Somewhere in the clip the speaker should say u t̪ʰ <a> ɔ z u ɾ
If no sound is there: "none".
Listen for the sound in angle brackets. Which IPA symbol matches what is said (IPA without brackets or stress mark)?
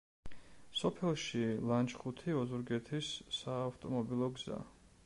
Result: i